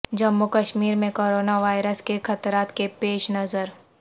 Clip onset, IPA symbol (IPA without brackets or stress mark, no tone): d͡ʒ